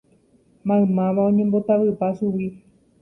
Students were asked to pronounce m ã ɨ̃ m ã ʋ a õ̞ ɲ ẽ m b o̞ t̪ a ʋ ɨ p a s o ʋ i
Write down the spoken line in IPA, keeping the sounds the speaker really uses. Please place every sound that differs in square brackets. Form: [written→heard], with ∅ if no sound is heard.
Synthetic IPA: m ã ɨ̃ m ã ʋ a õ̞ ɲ ẽ m b o̞ t̪ a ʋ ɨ p a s [o→u] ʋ i